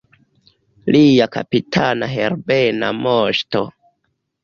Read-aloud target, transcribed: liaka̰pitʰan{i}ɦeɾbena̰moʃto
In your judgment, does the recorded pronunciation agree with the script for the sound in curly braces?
no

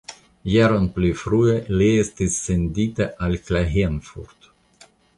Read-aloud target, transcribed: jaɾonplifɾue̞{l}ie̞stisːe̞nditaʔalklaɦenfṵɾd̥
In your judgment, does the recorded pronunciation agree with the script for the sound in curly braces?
yes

